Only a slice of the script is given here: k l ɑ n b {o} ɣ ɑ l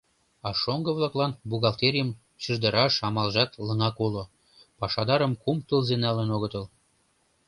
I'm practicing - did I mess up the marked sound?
yes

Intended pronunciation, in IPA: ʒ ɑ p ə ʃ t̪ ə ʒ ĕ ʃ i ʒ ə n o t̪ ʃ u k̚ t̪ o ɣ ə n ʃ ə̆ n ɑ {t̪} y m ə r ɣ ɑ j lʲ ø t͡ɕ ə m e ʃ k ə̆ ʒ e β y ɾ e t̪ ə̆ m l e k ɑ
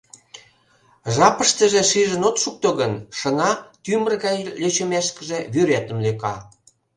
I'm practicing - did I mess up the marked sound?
no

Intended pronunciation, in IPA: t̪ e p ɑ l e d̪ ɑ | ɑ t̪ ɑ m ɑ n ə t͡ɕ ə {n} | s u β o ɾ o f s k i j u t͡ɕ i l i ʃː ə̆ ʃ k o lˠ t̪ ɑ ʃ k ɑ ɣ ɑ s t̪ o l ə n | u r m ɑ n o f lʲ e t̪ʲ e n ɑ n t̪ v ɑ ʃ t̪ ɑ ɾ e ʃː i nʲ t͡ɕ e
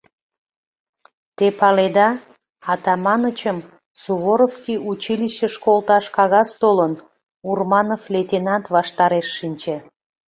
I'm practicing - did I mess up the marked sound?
yes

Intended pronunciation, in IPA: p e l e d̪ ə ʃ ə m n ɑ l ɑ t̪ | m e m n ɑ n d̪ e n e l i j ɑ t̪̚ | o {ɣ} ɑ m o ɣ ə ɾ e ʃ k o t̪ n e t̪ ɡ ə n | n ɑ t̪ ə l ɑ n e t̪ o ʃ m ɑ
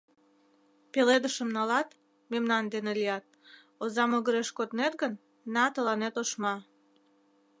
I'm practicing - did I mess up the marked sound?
yes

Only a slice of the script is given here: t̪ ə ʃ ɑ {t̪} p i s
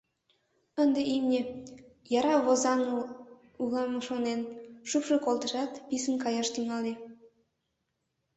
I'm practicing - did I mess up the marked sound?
no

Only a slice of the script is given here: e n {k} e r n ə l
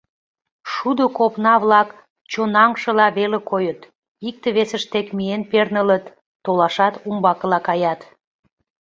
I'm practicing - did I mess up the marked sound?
yes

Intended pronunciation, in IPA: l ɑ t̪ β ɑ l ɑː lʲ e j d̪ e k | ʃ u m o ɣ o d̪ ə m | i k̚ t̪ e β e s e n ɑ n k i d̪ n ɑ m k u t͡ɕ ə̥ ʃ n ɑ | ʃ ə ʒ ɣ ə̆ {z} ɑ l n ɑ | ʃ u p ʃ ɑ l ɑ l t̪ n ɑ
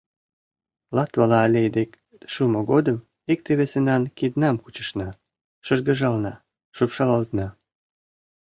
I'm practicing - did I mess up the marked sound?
yes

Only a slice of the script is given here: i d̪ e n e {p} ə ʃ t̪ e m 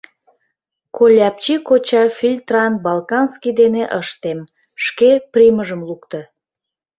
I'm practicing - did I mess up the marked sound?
yes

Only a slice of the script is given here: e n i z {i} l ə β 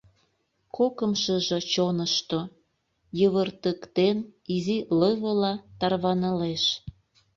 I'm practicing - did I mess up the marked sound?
no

